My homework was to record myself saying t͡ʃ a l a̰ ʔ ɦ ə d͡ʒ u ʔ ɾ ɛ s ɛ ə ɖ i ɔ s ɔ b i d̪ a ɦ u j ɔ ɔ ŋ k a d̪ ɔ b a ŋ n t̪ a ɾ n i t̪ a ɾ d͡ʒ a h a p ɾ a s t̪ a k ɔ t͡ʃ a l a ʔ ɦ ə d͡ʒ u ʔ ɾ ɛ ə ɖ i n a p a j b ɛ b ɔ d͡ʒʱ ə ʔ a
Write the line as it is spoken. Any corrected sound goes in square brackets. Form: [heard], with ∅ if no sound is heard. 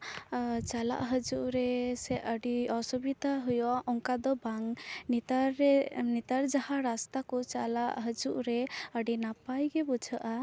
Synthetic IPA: t͡ʃ a l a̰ ʔ ɦ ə d͡ʒ u ʔ ɾ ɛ s ɛ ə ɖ i ɔ s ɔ b i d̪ a ɦ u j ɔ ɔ ŋ k a d̪ ɔ b a ŋ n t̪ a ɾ n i t̪ a ɾ d͡ʒ a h a [∅] ɾ a s t̪ a k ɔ t͡ʃ a l a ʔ ɦ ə d͡ʒ u ʔ ɾ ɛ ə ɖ i n a p a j [ɡ] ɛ b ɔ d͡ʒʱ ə ʔ a